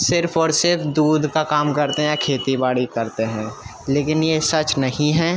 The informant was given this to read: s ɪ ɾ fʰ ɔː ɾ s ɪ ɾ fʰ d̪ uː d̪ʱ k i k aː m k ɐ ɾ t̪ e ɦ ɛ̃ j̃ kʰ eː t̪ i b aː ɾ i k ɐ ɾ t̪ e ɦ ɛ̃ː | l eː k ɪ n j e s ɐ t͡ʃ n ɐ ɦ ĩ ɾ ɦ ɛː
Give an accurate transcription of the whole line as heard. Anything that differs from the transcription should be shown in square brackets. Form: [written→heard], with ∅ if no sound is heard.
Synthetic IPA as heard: s ɪ ɾ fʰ ɔː ɾ s ɪ ɾ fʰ d̪ uː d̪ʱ k [i→a] k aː m k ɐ ɾ t̪ e ɦ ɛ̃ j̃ kʰ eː t̪ i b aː [ɾ→ɽ] i k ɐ ɾ t̪ e ɦ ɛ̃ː | l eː k ɪ n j e s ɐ t͡ʃ n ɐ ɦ ĩ [ɾ→∅] ɦ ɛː

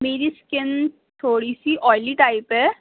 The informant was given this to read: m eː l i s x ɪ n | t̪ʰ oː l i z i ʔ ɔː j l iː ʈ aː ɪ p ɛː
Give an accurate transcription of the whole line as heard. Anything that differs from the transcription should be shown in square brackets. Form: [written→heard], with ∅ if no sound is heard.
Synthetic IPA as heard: m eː [l→ɾ] i s [x→k] ɪ n | t̪ʰ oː [l→ɽ] i [z→s] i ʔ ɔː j l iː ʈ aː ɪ p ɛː

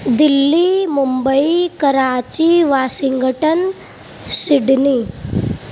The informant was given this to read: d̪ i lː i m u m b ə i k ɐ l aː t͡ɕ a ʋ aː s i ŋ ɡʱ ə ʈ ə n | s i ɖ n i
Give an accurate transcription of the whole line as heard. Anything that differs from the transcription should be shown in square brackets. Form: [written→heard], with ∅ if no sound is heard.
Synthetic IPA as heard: d̪ i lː i m u m b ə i k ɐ [l→ɾ] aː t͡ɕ [a→i] ʋ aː s i ŋ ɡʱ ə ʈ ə n | s i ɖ n i

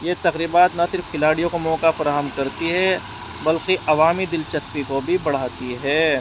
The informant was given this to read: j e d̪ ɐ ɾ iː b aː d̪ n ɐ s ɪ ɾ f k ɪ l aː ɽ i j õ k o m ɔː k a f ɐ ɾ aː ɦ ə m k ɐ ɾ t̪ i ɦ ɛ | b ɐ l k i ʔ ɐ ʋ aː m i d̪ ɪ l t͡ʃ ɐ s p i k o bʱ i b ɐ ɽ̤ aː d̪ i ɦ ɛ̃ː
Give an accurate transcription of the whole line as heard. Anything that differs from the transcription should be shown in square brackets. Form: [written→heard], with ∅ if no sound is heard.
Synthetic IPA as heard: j e [d̪→t̪] ɐ ɾ iː b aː [d̪→t̪] n ɐ s ɪ ɾ f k ɪ l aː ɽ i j õ k o m ɔː k a f ɐ ɾ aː ɦ ə m k ɐ ɾ t̪ i ɦ ɛ | b ɐ l k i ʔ ɐ ʋ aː m i d̪ ɪ l t͡ʃ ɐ s p i k o bʱ i b ɐ ɽ̤ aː [d̪→t̪] i ɦ [ɛ̃ː→ɛː]

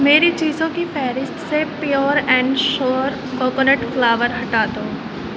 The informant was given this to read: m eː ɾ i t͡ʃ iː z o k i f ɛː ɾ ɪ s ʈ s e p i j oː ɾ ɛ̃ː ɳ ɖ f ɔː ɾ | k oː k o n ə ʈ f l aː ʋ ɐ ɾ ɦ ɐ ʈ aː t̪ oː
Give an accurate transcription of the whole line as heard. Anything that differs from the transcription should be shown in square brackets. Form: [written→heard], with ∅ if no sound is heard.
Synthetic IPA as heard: m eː ɾ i t͡ʃ iː z [o→õ] k i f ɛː ɾ ɪ s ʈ s e p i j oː ɾ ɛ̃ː ɳ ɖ [f→ʃ] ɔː ɾ | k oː k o n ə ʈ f l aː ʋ [ɐ→ə] ɾ ɦ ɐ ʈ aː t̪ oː

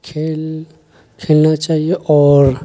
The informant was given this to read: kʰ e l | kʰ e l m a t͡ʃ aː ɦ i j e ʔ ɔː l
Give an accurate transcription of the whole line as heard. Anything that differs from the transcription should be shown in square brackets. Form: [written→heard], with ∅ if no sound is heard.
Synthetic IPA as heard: kʰ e l | kʰ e l [m→n] a t͡ʃ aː ɦ i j e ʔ ɔː [l→ɾ]

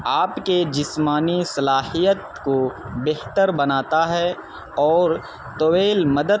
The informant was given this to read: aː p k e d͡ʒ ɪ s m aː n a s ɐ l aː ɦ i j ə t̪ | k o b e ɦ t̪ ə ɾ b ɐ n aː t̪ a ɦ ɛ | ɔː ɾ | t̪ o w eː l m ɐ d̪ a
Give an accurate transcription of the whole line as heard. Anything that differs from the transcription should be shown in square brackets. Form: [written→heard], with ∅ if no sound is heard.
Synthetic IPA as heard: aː p k e d͡ʒ ɪ s m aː n [a→i] s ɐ l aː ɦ i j ə t̪ | k o b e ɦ t̪ ə ɾ b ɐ n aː t̪ a ɦ ɛ | ɔː ɾ | t̪ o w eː l m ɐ d̪ [a→ə]

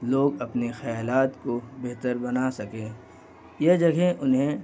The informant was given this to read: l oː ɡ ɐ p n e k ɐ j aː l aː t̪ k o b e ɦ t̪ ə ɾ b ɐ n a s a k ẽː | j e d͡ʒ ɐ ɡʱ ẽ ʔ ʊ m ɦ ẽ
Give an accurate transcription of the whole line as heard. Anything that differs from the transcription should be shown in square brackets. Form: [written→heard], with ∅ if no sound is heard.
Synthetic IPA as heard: l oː ɡ ɐ p n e [k→x] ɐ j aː l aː t̪ k o b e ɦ t̪ ə ɾ b ɐ n a s [a→ɐ] k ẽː | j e d͡ʒ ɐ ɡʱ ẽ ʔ ʊ [m→n] ɦ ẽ

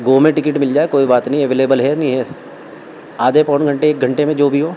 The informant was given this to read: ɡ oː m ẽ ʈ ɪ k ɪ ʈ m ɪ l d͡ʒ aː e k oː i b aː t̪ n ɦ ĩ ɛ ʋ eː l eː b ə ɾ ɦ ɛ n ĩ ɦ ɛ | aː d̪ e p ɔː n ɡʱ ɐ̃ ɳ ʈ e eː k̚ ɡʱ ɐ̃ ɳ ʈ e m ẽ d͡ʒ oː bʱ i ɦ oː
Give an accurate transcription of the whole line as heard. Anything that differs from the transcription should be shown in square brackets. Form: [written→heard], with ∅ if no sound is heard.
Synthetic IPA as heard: ɡ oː m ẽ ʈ ɪ k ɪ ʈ m ɪ l d͡ʒ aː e k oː i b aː t̪ n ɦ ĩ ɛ ʋ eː l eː b ə [ɾ→l] ɦ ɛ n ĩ ɦ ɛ | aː d̪ e p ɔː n ɡʱ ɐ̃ ɳ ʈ e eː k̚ ɡʱ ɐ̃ ɳ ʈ e m ẽ d͡ʒ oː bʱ i ɦ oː

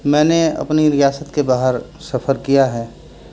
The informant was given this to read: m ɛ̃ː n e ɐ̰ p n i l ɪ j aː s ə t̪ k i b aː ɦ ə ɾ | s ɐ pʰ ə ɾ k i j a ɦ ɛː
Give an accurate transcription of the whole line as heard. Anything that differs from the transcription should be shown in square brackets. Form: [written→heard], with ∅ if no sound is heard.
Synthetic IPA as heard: m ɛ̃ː n e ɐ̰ p n i [l→ɾ] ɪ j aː s ə t̪ k [i→e] b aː ɦ ə ɾ | s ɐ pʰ ə ɾ k i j a ɦ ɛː

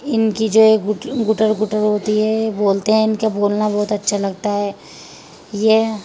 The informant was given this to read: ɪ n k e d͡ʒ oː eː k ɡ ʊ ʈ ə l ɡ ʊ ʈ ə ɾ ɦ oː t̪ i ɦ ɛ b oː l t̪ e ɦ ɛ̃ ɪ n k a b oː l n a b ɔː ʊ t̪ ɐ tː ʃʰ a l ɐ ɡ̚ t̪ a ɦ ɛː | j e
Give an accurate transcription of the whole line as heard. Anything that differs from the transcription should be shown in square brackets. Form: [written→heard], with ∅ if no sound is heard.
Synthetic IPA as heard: ɪ n k [e→i] d͡ʒ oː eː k ɡ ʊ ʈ ə [l→ɾ] ɡ ʊ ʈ ə ɾ ɦ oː t̪ i ɦ ɛ b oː l t̪ e ɦ ɛ̃ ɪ n k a b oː l n a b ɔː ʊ t̪ ɐ tː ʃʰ a l ɐ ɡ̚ t̪ a ɦ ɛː | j e

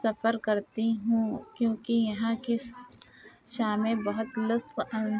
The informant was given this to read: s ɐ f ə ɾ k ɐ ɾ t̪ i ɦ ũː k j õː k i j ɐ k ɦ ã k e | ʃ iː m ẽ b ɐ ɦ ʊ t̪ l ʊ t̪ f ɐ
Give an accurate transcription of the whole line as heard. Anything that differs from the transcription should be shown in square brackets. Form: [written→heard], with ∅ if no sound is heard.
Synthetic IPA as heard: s ɐ f ə ɾ k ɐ ɾ t̪ i ɦ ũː k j õː k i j ɐ [k→∅] ɦ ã k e | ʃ [iː→aː] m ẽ b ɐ ɦ ʊ t̪ l ʊ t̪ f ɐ

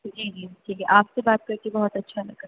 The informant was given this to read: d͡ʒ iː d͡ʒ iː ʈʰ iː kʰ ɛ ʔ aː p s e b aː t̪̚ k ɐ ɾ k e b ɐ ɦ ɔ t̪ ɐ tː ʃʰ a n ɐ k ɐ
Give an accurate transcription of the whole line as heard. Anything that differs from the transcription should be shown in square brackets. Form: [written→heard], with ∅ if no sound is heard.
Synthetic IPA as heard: d͡ʒ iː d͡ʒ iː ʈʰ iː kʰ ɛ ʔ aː p s e b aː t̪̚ k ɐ ɾ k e b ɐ ɦ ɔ t̪ ɐ tː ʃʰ a n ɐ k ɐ

